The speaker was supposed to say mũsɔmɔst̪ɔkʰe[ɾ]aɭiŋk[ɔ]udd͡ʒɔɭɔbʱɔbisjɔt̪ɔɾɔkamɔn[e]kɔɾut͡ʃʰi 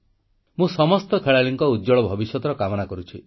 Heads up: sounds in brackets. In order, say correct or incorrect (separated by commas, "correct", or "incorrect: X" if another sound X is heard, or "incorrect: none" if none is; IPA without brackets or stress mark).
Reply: incorrect: ɭ, correct, incorrect: a